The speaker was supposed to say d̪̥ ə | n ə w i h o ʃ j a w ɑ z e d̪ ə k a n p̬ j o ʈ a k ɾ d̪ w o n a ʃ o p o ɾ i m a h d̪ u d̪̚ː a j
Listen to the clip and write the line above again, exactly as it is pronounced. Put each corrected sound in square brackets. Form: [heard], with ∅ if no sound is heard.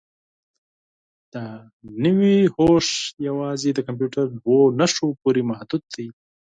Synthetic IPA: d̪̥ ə | n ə w i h o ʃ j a w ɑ z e d̪ ə k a [m] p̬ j [u] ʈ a [∅] ɾ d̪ w o n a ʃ o p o ɾ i m a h d̪ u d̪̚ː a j